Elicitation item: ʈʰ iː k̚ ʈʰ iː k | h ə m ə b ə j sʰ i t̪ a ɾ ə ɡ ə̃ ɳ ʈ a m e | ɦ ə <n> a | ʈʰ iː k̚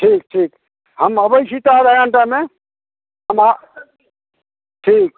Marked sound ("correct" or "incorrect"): incorrect